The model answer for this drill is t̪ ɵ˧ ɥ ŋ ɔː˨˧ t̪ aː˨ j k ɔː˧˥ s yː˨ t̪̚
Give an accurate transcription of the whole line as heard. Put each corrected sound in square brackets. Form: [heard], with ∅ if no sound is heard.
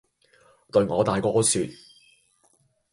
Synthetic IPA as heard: t̪ ɵ˧ ɥ ŋ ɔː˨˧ t̪ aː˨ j k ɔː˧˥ s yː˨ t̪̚